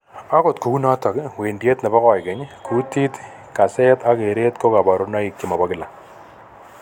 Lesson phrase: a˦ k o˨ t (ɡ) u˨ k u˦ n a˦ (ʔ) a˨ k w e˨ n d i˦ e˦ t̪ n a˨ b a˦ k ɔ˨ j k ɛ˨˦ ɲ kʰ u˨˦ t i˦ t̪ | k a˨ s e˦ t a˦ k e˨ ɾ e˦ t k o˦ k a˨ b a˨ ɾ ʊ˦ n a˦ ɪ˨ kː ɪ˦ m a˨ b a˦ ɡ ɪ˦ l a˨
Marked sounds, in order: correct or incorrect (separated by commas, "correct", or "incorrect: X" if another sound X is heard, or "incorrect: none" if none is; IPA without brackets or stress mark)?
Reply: incorrect: k, incorrect: t